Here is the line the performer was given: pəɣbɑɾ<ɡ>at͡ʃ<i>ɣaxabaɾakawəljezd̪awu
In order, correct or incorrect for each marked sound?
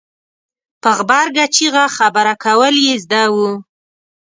correct, correct

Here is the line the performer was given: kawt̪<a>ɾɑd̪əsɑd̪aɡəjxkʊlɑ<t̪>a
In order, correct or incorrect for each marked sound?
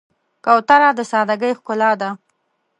correct, incorrect: d̪

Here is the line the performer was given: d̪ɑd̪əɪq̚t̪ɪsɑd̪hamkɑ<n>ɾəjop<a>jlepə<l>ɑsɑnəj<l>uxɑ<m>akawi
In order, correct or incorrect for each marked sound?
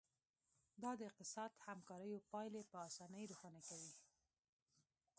incorrect: none, incorrect: ɑ, incorrect: none, incorrect: ɾ, incorrect: n

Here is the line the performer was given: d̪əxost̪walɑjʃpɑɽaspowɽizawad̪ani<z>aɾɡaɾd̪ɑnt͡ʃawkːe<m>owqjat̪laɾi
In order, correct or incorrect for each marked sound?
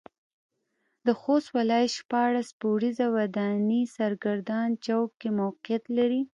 incorrect: s, correct

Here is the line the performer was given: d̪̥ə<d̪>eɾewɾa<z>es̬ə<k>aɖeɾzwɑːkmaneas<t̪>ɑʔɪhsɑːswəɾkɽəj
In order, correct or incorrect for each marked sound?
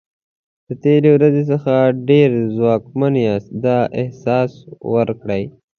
incorrect: t̪, correct, incorrect: x, incorrect: d̪

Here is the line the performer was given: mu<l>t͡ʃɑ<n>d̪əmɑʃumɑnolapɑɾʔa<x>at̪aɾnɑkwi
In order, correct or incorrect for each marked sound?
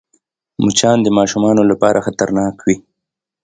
incorrect: none, correct, correct

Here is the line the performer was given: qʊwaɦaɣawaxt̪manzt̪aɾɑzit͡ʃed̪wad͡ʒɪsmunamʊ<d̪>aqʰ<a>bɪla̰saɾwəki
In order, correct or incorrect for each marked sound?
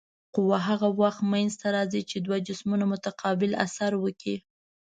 incorrect: t̪, incorrect: ɑ

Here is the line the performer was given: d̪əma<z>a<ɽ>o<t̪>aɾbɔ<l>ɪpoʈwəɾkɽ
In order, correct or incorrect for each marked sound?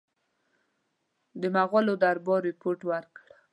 incorrect: ɣ, incorrect: l, incorrect: d̪, incorrect: ɾ

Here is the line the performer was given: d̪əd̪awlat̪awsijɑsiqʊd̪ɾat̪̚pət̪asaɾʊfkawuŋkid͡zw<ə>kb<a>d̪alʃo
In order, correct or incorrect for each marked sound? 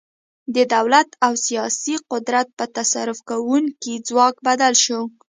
incorrect: ɑ, correct

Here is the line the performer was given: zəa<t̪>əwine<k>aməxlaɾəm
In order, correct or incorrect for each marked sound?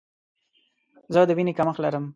incorrect: d̪, correct

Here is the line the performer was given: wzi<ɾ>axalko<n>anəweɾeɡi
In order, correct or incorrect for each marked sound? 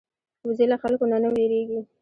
incorrect: l, correct

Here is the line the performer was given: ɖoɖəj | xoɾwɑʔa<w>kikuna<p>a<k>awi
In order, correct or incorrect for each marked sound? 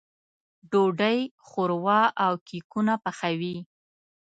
correct, correct, incorrect: x

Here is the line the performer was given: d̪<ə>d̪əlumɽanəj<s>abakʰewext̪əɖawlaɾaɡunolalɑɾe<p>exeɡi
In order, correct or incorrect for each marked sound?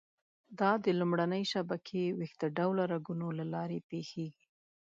incorrect: ɑ, incorrect: ʃ, correct

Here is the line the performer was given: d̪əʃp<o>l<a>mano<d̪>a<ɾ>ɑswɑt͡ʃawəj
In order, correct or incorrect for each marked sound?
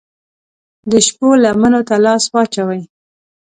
correct, correct, incorrect: t̪, incorrect: l

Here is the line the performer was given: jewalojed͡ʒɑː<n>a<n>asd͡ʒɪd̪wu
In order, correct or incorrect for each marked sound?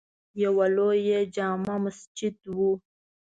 incorrect: m, incorrect: m

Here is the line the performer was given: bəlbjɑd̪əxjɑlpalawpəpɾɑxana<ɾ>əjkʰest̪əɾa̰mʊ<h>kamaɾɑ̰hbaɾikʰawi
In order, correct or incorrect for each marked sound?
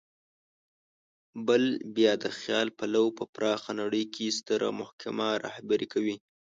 incorrect: ɽ, correct

